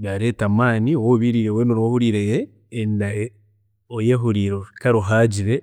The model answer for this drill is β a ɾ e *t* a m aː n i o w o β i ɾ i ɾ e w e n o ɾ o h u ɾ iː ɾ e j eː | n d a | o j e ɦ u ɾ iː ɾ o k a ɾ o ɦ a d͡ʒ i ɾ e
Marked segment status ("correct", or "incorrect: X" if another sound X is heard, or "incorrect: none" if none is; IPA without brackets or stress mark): correct